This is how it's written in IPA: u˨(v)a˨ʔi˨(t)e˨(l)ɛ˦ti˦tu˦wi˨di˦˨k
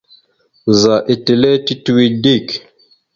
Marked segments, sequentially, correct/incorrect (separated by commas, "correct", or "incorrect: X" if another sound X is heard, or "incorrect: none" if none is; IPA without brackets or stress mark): incorrect: z, correct, correct